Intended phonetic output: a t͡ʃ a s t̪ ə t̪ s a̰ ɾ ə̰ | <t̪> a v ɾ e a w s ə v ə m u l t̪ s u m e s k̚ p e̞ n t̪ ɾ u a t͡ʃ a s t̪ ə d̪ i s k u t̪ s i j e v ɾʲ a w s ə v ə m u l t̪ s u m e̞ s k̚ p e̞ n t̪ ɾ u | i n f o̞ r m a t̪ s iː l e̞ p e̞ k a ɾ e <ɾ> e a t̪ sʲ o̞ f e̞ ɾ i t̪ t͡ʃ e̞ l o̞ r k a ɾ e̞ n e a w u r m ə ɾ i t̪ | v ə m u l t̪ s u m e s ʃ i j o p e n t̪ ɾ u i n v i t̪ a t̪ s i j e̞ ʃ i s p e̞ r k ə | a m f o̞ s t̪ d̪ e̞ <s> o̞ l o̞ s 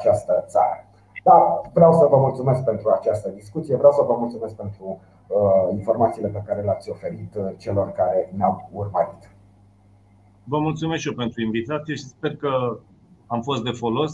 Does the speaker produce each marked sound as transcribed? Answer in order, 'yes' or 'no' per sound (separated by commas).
no, no, no